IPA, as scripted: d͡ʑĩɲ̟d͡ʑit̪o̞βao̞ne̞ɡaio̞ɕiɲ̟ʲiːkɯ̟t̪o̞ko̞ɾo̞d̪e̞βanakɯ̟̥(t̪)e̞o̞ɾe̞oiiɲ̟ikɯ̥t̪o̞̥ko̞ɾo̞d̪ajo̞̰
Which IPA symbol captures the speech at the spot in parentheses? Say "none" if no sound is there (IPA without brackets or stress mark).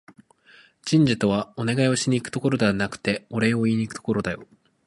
t̪